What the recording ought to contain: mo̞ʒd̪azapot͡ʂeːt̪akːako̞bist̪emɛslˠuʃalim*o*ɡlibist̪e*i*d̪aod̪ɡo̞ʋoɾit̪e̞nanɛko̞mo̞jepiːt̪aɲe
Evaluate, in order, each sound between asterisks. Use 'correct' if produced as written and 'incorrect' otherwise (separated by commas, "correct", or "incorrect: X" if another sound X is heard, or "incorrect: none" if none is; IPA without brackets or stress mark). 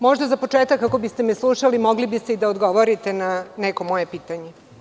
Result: correct, correct